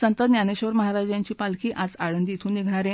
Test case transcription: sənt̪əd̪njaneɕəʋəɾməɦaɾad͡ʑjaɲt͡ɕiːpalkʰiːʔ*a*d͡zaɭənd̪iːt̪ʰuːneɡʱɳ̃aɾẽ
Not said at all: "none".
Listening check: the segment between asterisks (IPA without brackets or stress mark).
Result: a